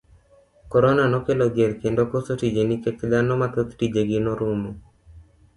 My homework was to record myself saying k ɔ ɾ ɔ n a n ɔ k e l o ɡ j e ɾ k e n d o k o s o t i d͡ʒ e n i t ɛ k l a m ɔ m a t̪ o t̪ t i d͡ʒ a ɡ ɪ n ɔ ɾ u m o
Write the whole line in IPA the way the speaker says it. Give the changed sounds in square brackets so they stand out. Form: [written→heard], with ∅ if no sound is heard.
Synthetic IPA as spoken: k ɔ ɾ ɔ n a n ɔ k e l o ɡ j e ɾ k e n d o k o s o t i d͡ʒ e n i [t→k] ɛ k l a [m→n] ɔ m a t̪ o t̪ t i d͡ʒ [a→e] ɡ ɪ n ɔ ɾ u m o